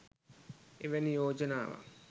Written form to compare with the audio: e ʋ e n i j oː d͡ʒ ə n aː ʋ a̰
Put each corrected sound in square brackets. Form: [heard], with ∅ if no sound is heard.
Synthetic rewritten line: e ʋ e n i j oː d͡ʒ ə n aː ʋ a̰

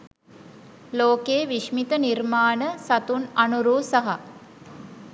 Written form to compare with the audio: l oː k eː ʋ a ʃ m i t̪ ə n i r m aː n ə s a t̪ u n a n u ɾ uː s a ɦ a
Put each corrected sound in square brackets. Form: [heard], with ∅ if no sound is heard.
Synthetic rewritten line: l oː k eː ʋ [i] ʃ m i t̪ ə n i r m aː n ə s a t̪ u n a n u ɾ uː s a ɦ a

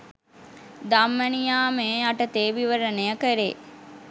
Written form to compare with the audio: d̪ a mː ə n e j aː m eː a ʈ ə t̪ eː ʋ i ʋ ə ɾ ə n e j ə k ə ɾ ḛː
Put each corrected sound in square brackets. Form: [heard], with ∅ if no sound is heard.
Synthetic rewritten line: d̪ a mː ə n [i] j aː m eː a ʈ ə t̪ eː ʋ i ʋ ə ɾ ə n e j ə k ə ɾ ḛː

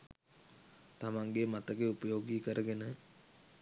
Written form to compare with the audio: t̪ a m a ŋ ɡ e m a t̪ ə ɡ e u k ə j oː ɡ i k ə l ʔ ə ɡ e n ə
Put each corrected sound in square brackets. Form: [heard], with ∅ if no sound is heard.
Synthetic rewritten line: t̪ a m a ŋ ɡ e m a t̪ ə ɡ e u [p] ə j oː ɡ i k ə [ɾ] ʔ ə ɡ e n ə

